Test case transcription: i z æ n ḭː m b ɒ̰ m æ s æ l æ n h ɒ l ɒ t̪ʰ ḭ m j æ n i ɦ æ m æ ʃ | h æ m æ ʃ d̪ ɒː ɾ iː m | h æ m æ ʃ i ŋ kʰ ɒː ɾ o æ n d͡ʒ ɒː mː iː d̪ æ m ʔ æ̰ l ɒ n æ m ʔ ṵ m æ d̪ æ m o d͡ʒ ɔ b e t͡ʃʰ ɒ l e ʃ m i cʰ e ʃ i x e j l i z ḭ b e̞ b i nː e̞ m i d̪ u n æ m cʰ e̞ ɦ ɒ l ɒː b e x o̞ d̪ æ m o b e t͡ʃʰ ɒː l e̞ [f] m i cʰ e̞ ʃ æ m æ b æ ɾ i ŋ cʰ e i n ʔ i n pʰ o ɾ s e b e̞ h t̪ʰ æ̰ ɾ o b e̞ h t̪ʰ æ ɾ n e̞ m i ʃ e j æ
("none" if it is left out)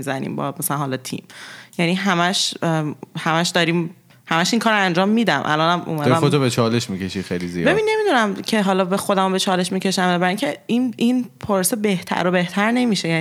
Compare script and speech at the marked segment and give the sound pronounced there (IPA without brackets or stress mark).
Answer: ʃ